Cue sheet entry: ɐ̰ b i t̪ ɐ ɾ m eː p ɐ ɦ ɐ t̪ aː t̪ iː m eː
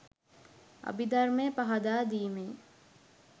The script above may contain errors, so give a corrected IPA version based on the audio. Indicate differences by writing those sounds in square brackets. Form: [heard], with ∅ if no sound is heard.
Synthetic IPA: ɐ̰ b i [d̪] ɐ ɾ m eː p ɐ ɦ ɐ [d̪] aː [d̪] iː m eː